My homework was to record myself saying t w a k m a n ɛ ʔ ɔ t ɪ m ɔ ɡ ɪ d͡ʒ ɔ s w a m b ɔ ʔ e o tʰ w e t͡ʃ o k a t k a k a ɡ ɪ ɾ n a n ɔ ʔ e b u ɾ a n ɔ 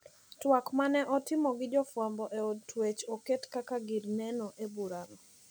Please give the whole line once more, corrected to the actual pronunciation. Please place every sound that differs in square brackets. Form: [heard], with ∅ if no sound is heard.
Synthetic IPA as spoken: t w a k m a n ɛ ʔ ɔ t ɪ m ɔ ɡ ɪ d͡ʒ ɔ [f] w a m b ɔ ʔ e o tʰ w e t͡ʃ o k [e] t k a k a ɡ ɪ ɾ n [ɛ] n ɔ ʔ e b u ɾ a n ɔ